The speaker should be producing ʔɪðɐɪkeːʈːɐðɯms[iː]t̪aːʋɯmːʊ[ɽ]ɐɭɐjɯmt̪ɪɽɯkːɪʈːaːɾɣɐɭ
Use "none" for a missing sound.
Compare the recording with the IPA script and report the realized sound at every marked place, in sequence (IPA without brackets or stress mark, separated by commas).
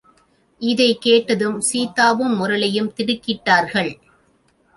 iː, ɾ